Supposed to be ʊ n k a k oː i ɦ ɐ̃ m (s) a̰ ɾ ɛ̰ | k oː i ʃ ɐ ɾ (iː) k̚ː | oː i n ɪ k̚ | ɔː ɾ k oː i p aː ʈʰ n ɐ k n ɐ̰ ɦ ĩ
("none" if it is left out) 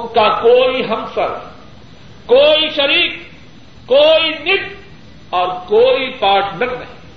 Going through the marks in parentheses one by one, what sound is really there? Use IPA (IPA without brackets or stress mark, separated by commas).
s, iː